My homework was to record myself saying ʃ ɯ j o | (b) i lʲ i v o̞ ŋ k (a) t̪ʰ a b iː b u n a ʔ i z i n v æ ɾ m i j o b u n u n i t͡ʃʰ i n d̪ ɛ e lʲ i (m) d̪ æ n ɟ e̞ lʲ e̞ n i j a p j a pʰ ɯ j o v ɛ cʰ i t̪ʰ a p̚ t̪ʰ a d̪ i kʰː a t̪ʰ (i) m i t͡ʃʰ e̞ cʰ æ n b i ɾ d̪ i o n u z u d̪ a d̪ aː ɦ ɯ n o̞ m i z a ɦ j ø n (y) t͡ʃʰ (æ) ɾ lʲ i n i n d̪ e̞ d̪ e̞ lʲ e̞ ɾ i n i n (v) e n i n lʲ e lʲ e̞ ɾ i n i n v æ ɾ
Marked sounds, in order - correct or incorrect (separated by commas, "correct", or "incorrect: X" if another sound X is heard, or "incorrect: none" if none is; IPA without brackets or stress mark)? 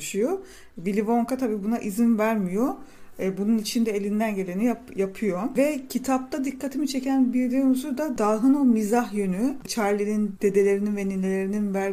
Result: incorrect: v, correct, incorrect: n, correct, correct, incorrect: a, correct